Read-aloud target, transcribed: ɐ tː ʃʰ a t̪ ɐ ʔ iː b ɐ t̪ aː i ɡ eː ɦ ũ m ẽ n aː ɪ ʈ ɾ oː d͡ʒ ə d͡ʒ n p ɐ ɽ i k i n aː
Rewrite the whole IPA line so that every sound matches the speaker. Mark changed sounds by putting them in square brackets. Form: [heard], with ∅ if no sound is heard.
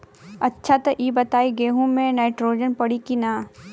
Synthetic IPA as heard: ɐ tː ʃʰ a t̪ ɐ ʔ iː b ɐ t̪ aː i ɡ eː ɦ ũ m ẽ n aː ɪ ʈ ɾ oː d͡ʒ ə [∅] n p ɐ ɽ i k i n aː